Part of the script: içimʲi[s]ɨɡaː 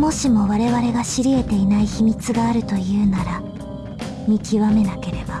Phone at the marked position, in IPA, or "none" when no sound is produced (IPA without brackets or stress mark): t͡s